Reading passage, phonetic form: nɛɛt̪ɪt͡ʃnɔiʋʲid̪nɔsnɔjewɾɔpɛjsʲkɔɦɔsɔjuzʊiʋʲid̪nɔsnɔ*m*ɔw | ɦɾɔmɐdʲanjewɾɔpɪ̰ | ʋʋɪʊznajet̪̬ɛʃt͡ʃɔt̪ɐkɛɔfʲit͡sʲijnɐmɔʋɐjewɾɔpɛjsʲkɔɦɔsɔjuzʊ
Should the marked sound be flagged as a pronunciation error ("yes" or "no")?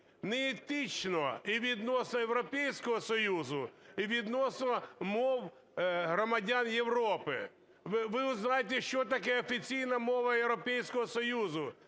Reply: no